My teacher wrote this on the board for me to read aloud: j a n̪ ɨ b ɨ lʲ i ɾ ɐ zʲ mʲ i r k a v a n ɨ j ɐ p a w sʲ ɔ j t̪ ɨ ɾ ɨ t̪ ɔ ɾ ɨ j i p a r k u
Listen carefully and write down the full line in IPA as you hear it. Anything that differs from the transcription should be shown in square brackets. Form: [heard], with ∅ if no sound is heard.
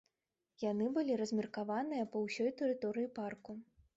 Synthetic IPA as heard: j a n̪ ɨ b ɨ lʲ i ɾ ɐ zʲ mʲ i r k a v a n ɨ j ɐ p [ɐ] w sʲ ɔ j t̪ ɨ ɾ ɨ t̪ ɔ ɾ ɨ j i p a r k u